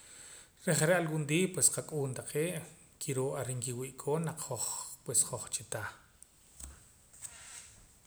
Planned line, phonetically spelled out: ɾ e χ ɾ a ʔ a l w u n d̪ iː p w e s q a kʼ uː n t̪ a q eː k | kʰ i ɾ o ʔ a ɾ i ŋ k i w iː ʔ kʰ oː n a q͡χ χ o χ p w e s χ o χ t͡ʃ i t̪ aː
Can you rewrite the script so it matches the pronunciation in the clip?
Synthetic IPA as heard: ɾ e χ ɾ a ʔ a l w u n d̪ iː p w e s q a kʼ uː n t̪ a q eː ʔ | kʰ i ɾ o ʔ a ɾ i ŋ k i w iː ʔ kʰ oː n a q͡χ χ o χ p w e s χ o χ t͡ʃ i t̪ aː